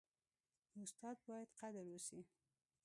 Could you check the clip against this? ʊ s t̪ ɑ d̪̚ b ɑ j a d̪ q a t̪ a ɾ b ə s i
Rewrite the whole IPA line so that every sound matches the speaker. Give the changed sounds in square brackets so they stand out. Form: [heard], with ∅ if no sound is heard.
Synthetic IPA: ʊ s t̪ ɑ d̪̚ b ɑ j a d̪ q a [d̪] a ɾ [w] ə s i